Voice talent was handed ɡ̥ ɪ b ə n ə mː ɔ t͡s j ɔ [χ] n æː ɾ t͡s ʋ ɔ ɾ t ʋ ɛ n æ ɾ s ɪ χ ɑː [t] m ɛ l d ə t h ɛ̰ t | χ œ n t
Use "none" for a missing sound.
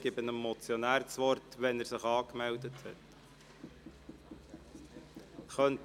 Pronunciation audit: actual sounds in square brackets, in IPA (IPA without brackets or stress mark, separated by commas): none, k